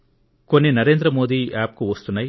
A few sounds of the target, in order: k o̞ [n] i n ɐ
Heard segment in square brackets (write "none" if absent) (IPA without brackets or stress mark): nː